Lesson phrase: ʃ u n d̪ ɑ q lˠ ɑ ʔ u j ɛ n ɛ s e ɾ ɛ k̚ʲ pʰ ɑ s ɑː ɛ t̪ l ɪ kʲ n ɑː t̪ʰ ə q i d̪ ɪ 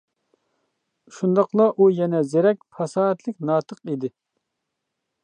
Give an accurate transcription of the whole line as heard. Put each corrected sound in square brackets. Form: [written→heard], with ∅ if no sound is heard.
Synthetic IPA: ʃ u n d̪ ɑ q lˠ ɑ ʔ u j ɛ n ɛ [s→z] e ɾ ɛ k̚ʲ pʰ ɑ s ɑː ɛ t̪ l ɪ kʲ n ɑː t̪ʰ ə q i d̪ ɪ